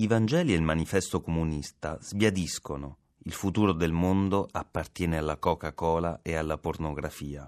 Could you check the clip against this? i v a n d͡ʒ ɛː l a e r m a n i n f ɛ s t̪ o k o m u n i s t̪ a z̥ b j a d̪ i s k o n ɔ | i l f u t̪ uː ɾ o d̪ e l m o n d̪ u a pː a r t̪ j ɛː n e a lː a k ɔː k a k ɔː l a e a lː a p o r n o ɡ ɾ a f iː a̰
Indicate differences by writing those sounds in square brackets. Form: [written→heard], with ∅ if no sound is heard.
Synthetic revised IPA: i v a n d͡ʒ ɛː l [a→i] e [r→l] m a n i [n→∅] f ɛ s t̪ o k o m u n i s t̪ a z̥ b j a d̪ i s k o n [ɔ→o] | i l f u t̪ uː ɾ o d̪ e l m o n d̪ [u→o] a pː a r t̪ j ɛː n e a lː a k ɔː k a k ɔː l a e a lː a p o r n o ɡ ɾ a f iː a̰